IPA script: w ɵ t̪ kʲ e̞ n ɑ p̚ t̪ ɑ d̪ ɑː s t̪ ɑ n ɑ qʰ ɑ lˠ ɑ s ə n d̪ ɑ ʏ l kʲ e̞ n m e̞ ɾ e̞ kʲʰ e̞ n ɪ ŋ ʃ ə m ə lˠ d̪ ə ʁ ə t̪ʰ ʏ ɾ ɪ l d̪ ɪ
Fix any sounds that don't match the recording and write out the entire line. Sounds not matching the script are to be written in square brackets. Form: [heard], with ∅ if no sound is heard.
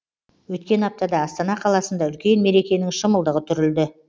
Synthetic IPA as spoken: w ɵ t̪ kʲ e̞ n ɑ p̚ t̪ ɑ d̪ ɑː s t̪ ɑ n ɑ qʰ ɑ lˠ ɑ s ə n d̪ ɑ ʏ l kʲ e̞ n m e̞ ɾ e̞ [kʲ] e̞ n ɪ ŋ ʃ ə m ə lˠ d̪ ə ʁ ə t̪ʰ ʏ ɾ ɪ l d̪ ɪ